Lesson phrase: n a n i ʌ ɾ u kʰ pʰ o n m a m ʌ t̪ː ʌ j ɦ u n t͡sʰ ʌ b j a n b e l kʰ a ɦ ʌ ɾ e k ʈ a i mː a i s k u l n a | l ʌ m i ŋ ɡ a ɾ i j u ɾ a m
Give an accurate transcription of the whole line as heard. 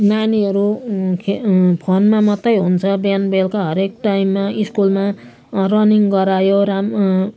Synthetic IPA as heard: n a n i ʌ ɾ u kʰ pʰ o n m a m ʌ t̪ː ʌ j ɦ u n t͡sʰ ʌ b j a n b e l k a ɦ ʌ ɾ e k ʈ a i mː a i s k u l m a | r ʌ n i ŋ ɡ ʌ ɾ a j o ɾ a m